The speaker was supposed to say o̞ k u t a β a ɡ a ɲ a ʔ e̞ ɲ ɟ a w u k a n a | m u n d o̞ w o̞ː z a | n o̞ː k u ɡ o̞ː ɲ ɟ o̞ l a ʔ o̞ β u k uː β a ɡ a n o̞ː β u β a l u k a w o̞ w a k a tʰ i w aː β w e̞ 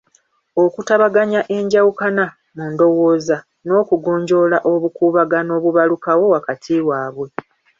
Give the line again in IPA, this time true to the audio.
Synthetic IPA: o̞ k u t a β a ɡ a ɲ a ʔ e̞ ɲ ɟ a w u k a n a | m u n d o̞ w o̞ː z a | n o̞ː k u ɡ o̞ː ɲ ɟ o̞ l a ʔ o̞ β u k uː β a ɡ a n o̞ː β u β a l u k a w o̞ w a k a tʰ i w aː β w e̞